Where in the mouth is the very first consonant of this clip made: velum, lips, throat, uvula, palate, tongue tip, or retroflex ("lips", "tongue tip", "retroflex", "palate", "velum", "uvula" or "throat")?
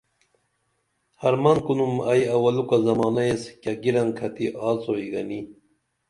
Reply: throat